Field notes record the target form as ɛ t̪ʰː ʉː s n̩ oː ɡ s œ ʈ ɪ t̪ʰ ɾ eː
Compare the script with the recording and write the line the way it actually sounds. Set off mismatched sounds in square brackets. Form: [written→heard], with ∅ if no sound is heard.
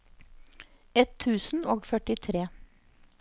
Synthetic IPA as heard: ɛ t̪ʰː ʉː s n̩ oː ɡ [s→f] œ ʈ ɪ t̪ʰ ɾ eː